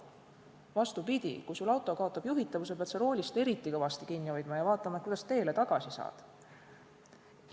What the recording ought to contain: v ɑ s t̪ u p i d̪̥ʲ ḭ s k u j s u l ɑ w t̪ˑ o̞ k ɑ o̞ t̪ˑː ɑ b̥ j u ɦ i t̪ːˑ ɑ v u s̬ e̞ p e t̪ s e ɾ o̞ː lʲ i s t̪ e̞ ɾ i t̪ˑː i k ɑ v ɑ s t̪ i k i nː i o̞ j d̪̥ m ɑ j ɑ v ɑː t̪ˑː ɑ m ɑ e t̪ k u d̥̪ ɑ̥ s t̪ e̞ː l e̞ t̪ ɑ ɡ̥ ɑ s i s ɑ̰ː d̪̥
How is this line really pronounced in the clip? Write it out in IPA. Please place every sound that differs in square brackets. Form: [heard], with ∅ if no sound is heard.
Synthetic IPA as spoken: v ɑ s t̪ u p i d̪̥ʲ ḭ [∅] k u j s u l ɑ w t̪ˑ o̞ k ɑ o̞ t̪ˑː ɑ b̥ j u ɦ i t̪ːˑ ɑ v u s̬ e̞ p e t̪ s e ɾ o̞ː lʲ i s t̪ e̞ ɾ i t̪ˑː i k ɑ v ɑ s t̪ i k i nː i o̞ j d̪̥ m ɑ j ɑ v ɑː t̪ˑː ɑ m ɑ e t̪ k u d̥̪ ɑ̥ s t̪ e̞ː l e̞ t̪ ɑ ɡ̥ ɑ s i s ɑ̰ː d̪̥